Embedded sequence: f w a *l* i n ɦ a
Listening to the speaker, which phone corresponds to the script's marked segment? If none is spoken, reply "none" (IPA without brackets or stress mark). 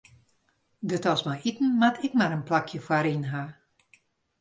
ɾ